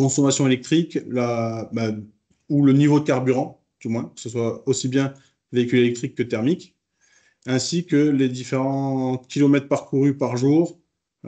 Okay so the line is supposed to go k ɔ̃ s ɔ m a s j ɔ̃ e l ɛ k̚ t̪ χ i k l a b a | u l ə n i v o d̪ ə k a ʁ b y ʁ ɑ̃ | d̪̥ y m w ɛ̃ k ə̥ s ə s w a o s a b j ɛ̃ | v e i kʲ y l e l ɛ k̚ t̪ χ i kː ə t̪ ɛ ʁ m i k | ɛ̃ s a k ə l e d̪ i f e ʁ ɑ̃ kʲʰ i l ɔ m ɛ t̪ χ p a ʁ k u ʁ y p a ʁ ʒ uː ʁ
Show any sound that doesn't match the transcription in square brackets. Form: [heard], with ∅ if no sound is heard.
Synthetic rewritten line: k ɔ̃ s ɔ m a s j ɔ̃ e l ɛ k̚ t̪ χ i k l a b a | u l ə n i v o d̪ ə k a ʁ b y ʁ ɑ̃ | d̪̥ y m w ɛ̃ k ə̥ s ə s w a o s [i] b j ɛ̃ | v e i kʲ y l e l ɛ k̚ t̪ χ i kː ə t̪ ɛ ʁ m i k | ɛ̃ s [i] k ə l e d̪ i f e ʁ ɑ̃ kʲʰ i l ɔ m ɛ t̪ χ p a ʁ k u ʁ y p a ʁ ʒ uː ʁ